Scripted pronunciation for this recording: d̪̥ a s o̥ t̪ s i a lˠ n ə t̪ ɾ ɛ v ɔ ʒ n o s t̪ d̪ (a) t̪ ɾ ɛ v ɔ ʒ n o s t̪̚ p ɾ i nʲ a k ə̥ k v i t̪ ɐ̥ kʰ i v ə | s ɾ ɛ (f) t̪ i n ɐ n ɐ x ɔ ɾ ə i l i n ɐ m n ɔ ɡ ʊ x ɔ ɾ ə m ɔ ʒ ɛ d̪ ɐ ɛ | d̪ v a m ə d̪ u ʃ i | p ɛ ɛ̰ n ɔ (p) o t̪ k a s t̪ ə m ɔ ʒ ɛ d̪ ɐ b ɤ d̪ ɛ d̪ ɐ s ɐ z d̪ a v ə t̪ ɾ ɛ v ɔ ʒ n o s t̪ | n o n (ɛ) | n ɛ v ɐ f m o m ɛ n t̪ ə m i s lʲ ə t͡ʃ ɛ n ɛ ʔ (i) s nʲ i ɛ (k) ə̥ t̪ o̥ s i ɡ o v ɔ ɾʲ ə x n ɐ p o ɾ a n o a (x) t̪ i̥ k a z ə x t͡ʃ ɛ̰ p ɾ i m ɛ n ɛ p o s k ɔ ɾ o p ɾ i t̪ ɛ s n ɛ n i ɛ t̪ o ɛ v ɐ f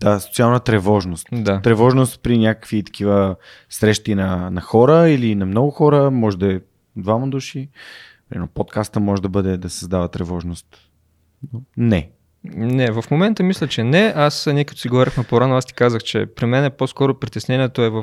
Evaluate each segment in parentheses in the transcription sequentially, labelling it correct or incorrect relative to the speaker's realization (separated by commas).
correct, incorrect, correct, correct, incorrect, correct, incorrect